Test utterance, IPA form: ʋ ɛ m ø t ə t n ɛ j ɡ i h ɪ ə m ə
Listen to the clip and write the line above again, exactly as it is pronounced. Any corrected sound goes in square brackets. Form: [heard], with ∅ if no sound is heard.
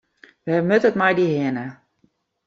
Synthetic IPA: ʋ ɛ m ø t ə t [m] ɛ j [d] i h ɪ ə [n] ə